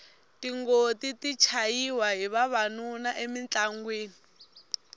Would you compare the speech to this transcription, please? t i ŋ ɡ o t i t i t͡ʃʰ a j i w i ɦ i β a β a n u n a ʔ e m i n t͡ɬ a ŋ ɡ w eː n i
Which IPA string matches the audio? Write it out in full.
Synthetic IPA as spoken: t i ŋ ɡ o t i t i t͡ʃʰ a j i w a ɦ i β a β a n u n a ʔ e m i n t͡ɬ a ŋ ɡ w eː n i